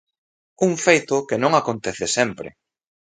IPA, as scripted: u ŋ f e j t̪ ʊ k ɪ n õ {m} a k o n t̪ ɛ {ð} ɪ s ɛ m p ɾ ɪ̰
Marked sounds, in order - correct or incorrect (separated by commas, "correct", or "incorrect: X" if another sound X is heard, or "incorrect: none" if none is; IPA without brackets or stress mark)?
incorrect: ŋ, incorrect: θ